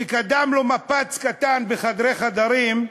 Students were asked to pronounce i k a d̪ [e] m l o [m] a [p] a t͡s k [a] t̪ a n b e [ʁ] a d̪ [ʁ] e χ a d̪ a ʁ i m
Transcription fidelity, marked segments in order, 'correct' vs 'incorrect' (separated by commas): incorrect, correct, correct, correct, incorrect, correct